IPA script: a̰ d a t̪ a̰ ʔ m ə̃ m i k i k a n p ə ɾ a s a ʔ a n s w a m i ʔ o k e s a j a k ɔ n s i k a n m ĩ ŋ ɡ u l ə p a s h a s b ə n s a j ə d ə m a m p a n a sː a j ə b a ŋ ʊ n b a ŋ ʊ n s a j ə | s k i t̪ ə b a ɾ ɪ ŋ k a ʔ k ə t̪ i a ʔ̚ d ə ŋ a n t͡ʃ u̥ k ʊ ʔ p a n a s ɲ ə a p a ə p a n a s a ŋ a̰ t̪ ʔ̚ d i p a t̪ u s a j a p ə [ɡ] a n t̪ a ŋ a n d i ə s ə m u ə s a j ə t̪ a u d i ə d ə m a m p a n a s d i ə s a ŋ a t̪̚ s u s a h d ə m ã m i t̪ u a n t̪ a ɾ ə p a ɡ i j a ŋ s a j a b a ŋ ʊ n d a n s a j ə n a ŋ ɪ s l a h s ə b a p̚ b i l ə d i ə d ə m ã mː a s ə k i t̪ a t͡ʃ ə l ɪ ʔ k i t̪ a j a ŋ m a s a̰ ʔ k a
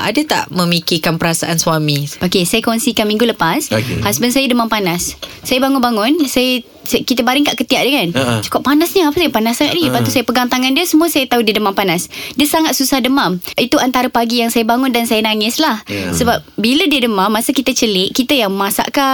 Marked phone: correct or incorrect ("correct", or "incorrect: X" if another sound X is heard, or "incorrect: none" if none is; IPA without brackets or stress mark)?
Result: correct